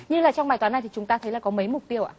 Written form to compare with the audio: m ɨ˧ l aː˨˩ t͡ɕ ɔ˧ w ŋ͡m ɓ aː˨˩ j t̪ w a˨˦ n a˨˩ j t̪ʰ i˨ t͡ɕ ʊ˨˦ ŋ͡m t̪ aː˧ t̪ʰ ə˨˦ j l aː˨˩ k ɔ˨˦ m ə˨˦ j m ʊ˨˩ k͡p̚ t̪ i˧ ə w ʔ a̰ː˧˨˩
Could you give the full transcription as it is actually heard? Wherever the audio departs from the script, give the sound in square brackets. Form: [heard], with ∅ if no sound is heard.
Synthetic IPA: [ɲ] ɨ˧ l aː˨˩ t͡ɕ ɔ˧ w ŋ͡m ɓ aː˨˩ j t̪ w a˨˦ n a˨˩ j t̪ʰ i˨ t͡ɕ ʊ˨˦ ŋ͡m t̪ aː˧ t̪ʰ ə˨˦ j l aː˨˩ k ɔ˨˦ m ə˨˦ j m ʊ˨˩ k͡p̚ t̪ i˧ ə w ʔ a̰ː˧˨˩